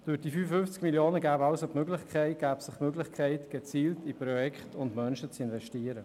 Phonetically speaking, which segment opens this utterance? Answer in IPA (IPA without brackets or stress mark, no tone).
d̥